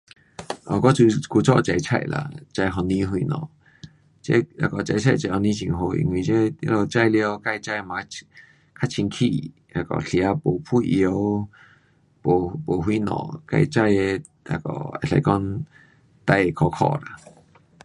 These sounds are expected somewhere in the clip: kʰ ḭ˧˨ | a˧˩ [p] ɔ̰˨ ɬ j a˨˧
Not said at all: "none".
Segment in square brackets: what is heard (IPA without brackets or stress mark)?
k